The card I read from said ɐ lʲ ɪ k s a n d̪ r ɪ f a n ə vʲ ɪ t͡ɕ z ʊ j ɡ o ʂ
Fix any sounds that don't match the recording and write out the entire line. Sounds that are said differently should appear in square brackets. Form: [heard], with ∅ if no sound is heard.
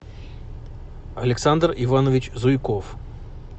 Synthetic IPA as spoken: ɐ lʲ ɪ k s a n d̪ r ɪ [v] a n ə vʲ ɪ t͡ɕ z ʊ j [k] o [f]